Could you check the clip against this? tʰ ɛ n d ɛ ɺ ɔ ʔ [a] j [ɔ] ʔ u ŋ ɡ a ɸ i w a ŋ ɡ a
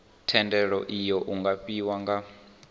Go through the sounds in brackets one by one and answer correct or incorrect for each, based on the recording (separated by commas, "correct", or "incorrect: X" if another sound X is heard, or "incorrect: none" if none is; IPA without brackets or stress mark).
incorrect: i, correct